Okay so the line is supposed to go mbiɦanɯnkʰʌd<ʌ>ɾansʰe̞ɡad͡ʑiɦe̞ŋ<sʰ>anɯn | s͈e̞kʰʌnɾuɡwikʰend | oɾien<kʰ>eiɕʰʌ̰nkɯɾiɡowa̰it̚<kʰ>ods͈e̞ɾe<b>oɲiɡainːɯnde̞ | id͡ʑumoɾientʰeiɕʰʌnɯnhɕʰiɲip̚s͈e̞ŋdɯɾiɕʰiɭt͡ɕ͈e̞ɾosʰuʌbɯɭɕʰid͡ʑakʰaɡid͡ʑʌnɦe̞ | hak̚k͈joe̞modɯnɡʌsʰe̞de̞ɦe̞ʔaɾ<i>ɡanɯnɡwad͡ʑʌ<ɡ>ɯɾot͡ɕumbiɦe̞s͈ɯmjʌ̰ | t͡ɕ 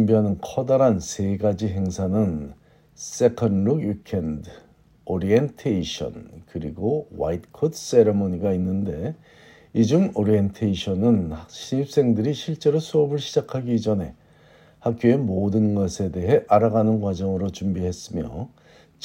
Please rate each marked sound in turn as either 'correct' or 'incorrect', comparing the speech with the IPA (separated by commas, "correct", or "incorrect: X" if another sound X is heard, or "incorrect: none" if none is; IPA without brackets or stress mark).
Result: incorrect: a, correct, incorrect: tʰ, correct, incorrect: m, incorrect: a, incorrect: ŋ